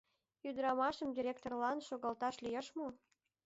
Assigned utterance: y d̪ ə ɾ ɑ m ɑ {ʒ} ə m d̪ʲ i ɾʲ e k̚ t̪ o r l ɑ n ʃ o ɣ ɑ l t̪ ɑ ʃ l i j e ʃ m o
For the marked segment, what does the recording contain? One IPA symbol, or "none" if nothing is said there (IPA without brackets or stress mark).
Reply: ʃ